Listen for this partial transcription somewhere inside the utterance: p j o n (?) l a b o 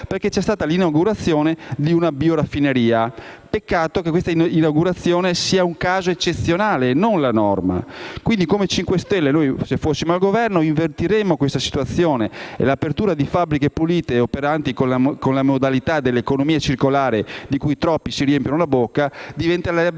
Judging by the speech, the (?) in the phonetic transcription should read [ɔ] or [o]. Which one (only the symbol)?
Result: o